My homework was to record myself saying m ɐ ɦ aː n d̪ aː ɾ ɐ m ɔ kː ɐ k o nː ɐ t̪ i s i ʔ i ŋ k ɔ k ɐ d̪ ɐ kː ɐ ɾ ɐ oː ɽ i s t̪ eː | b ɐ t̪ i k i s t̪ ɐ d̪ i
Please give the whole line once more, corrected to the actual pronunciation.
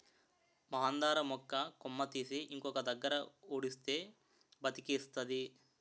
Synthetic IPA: m ɐ ɦ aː n d̪ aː ɾ ɐ m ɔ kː ɐ k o mː ɐ t̪ i s i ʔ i ŋ k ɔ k ɐ d̪ ɐ ɡː ɐ ɾ ɐ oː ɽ i s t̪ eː | b ɐ t̪ i k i s t̪ ɐ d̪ i